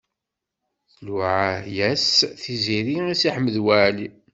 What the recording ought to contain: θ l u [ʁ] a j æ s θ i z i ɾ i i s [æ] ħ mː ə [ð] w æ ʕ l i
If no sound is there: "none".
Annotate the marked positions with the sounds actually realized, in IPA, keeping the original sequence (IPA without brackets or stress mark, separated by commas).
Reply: ʕ, i, ð